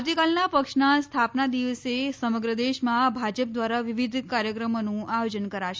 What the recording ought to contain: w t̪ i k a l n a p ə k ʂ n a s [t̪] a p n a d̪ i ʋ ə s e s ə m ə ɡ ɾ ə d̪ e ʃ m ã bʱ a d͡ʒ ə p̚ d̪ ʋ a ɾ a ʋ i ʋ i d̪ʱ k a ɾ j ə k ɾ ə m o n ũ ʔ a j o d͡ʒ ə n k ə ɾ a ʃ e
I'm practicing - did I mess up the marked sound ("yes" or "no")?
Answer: yes